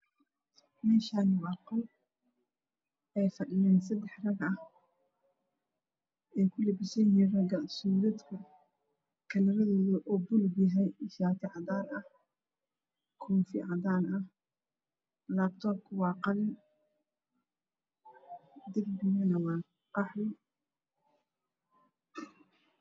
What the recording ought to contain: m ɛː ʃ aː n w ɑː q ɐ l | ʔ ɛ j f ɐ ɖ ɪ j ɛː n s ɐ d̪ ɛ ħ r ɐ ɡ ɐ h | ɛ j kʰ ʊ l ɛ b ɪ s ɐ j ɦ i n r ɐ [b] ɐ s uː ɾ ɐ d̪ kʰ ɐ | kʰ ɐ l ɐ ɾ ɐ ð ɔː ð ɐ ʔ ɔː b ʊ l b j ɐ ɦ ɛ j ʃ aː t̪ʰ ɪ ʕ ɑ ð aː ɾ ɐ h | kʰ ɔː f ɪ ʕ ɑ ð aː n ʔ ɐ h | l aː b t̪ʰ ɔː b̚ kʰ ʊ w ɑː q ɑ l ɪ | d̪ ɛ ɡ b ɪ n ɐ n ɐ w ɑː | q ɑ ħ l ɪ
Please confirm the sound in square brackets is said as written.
no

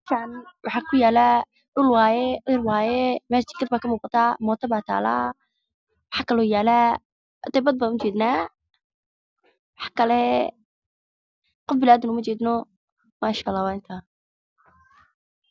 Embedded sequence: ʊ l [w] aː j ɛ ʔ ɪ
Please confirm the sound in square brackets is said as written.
yes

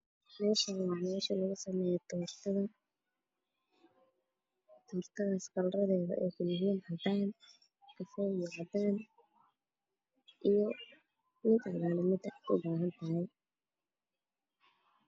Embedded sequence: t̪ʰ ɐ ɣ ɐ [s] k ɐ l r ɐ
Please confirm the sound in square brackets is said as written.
yes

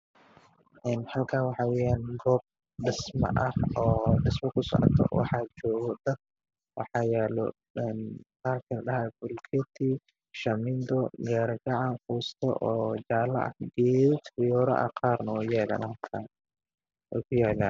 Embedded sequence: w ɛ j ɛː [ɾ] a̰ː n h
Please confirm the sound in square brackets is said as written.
no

